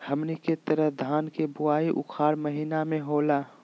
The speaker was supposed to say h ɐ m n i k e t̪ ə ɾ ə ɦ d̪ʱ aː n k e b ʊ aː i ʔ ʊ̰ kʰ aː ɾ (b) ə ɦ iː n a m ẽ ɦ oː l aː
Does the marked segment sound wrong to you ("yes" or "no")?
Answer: yes